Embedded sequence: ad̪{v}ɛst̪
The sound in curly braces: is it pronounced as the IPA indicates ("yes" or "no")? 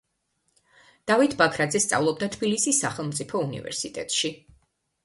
no